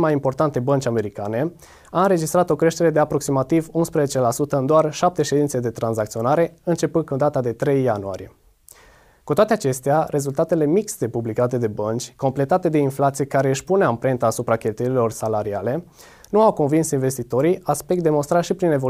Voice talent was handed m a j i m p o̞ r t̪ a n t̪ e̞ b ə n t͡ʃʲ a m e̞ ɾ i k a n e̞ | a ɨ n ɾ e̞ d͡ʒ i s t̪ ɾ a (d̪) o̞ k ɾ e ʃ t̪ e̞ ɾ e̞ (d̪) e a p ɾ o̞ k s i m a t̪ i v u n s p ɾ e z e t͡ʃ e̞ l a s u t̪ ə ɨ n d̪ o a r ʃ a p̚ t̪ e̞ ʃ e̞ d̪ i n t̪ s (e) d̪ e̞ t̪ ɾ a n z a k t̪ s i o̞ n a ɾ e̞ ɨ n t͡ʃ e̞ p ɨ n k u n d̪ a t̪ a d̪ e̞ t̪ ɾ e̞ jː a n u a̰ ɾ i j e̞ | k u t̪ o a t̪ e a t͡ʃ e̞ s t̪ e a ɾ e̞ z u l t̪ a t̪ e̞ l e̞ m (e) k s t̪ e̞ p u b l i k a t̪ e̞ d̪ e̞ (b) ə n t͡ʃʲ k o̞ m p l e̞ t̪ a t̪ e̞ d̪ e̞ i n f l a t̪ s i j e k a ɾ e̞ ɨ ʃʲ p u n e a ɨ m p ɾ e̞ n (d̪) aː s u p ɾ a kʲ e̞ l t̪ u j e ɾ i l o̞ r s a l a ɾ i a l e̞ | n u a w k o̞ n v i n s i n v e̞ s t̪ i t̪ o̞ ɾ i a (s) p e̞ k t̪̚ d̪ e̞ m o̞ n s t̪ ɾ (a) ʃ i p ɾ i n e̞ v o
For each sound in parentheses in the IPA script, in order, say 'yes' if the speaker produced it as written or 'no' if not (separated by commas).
no, yes, yes, no, yes, no, yes, yes